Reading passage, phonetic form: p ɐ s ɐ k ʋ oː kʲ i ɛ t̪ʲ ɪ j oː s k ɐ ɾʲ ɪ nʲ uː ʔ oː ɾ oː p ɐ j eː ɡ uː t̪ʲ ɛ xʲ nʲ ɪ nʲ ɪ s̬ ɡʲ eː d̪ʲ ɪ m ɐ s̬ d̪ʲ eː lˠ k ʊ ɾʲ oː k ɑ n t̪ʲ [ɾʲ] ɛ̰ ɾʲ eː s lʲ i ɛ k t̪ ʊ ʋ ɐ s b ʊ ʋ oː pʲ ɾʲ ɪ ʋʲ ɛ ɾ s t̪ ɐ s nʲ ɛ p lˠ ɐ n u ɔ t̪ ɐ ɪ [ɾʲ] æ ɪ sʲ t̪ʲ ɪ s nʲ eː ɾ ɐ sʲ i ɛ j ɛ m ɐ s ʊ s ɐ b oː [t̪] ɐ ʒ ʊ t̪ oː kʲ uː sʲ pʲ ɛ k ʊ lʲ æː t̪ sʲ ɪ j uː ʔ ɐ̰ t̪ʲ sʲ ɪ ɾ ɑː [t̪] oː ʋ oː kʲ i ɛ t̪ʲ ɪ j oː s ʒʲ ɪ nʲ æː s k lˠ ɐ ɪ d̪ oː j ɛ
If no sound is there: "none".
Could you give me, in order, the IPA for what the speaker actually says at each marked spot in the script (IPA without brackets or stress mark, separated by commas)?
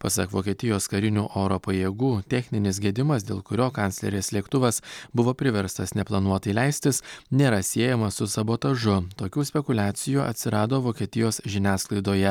lʲ, lʲ, t̪, d̪